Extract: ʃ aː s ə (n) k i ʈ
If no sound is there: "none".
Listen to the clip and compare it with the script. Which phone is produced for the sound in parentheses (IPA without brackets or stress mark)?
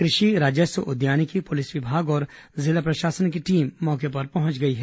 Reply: n